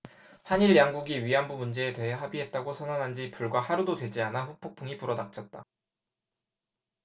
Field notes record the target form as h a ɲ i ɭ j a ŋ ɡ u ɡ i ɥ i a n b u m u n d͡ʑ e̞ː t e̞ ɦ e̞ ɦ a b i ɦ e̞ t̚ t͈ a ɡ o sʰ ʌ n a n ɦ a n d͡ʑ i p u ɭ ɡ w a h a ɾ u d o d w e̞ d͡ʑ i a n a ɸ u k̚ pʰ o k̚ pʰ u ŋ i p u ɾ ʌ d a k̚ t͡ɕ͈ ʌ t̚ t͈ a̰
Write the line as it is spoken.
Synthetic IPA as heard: h a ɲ i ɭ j a ŋ ɡ u ɡ i ɥ i a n b u m u n d͡ʑ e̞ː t e̞ ɦ e̞ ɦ a b i ɦ e̞ t̚ t͈ a ɡ o sʰ ʌ n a n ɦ a n d͡ʑ i p u ɭ ɡ w a h a ɾ u d o d w e̞ d͡ʑ i a n a ɸ u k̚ pʰ o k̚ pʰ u ŋ i p u ɾ ʌ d a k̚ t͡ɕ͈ ʌ t̚ t͈ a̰